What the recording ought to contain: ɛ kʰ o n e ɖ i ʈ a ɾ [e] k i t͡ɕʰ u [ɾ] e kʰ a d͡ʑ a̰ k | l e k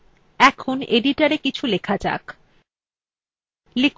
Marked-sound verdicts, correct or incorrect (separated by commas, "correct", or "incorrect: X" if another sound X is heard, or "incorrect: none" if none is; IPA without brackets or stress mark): correct, incorrect: l